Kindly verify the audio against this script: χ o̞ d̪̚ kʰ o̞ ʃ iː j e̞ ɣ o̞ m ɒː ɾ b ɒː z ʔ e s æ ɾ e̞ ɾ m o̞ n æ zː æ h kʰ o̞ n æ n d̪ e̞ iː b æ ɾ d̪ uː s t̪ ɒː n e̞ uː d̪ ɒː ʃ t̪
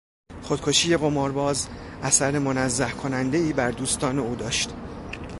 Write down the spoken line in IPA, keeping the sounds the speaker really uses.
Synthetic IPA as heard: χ o̞ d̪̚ kʰ o̞ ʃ iː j e̞ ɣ o̞ m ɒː ɾ b ɒː z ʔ æ s æ ɾ e̞ m o̞ n æ zː æ h kʰ o̞ n æ n d̪ e̞ iː b æ ɾ d̪ uː s t̪ ɒː n e̞ uː d̪ ɒː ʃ t̪